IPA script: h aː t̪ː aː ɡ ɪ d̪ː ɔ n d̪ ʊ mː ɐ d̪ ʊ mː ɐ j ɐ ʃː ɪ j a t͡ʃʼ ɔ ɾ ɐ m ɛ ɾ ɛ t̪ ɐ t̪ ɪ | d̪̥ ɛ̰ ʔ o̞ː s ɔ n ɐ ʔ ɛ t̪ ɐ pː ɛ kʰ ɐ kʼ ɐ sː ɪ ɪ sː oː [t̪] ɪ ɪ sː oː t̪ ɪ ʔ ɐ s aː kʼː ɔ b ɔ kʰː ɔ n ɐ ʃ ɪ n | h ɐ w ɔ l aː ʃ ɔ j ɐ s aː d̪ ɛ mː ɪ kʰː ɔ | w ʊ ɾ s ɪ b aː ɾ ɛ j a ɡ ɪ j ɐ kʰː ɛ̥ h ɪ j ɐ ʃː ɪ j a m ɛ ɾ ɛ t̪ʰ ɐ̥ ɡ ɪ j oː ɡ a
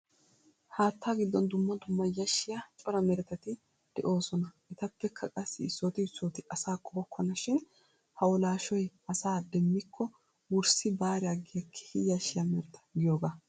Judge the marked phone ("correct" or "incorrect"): correct